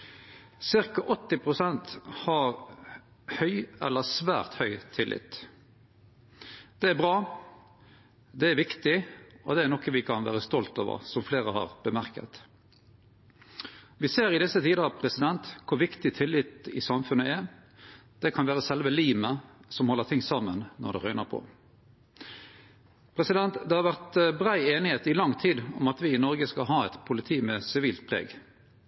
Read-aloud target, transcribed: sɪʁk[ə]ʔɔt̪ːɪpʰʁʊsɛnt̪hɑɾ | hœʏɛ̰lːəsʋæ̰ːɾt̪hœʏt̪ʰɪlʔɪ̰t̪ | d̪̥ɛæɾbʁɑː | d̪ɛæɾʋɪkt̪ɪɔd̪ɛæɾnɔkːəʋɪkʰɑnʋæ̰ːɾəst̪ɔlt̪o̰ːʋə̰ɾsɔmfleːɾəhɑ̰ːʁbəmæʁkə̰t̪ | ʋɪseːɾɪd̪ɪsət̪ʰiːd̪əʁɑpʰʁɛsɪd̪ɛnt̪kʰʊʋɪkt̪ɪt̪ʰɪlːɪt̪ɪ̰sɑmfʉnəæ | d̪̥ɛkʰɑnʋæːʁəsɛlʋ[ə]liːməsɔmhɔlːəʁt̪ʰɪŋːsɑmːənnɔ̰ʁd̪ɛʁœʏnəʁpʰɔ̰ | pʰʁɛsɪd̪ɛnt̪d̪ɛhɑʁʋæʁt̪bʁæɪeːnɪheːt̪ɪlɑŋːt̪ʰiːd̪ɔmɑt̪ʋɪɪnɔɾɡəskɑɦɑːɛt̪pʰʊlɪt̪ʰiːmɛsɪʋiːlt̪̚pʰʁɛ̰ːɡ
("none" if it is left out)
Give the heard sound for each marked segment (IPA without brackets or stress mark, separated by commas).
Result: ɑ, ə